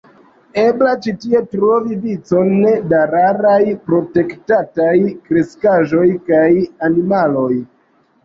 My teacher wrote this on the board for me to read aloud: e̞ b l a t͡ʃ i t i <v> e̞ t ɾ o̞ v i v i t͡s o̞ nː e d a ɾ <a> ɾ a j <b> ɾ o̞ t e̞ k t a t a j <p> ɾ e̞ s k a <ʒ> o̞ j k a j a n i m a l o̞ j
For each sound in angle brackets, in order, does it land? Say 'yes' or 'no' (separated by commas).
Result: no, yes, no, no, yes